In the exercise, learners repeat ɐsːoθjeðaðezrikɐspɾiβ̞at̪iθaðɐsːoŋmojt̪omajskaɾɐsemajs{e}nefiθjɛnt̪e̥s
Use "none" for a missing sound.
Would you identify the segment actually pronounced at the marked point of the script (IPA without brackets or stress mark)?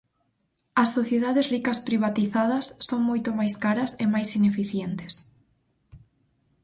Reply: i